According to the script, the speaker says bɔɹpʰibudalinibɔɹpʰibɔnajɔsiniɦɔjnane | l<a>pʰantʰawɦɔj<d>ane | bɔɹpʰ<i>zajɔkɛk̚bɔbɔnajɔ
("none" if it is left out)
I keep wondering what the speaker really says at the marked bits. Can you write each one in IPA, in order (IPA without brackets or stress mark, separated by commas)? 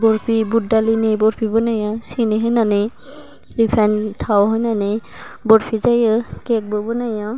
i, n, i